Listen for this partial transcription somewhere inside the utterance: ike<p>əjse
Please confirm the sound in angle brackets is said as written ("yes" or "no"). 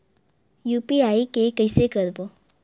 no